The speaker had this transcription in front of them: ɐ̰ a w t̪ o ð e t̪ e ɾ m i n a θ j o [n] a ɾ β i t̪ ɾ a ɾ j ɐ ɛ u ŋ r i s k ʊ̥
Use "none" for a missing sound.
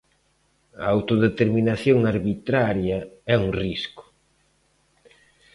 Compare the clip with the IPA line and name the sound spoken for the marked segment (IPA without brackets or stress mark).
ŋ